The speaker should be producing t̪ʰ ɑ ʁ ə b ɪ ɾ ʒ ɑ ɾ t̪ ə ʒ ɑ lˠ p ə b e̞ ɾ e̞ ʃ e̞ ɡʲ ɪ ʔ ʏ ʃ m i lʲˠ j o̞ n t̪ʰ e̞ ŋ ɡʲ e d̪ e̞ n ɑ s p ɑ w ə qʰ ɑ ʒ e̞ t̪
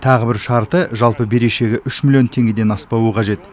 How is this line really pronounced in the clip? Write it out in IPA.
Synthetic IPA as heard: t̪ʰ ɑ ʁ ə b ɪ ɾ ʃ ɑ ɾ t̪ ə ʒ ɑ lˠ p ə b e̞ ɾ e̞ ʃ e̞ ɡʲ ɪ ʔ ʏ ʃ m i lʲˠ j o̞ n t̪ʰ e̞ ŋ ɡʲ e d̪ e̞ n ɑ s p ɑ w ə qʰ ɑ ʒ e̞ t̪